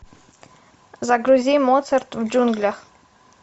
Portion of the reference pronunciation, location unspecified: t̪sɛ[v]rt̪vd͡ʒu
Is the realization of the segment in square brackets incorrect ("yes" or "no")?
yes